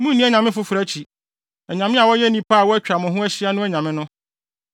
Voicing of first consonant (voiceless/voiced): voiced